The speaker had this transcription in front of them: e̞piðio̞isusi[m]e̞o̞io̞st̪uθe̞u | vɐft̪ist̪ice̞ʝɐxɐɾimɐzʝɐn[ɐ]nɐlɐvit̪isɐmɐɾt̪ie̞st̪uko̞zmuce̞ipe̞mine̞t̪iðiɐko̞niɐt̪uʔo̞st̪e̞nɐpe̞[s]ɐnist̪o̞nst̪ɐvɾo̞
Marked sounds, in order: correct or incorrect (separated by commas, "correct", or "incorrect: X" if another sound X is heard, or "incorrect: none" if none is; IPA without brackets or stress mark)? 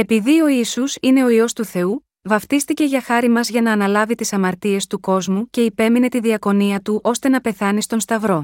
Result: incorrect: n, incorrect: ɐː, incorrect: θ